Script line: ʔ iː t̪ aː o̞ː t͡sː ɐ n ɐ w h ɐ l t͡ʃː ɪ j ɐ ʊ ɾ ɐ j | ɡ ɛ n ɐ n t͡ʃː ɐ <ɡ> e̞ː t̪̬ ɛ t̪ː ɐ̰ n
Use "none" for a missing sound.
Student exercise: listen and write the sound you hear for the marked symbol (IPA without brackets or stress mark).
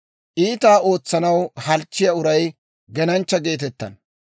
ɡ